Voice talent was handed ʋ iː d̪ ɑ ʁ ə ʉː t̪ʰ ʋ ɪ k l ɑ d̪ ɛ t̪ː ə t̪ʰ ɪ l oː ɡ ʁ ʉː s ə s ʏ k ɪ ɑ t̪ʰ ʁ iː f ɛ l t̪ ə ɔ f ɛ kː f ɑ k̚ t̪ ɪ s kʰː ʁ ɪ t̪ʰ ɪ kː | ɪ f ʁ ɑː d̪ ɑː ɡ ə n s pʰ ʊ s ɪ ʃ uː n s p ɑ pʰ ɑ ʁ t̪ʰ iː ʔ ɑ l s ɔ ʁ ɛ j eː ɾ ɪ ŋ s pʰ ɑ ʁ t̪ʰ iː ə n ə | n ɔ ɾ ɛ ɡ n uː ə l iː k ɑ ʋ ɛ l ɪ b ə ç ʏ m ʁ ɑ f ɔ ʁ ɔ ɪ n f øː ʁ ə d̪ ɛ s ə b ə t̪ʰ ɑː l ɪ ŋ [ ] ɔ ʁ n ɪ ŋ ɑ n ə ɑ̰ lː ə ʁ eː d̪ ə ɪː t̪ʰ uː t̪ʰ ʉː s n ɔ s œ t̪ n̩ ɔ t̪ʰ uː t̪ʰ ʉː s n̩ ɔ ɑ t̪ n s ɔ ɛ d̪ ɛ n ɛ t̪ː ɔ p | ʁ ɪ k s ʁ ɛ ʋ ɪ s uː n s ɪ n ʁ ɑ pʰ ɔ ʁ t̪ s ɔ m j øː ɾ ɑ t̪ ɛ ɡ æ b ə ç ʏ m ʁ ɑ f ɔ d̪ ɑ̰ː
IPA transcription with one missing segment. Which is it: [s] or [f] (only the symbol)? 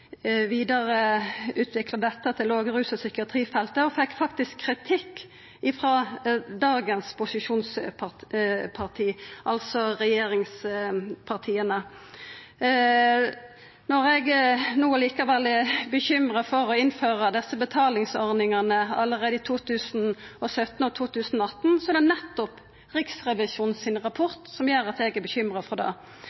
s